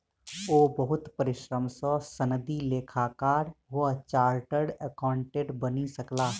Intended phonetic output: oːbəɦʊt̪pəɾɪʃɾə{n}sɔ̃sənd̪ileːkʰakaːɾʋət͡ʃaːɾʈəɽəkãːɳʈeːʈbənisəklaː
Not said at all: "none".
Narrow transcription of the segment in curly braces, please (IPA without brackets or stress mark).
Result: m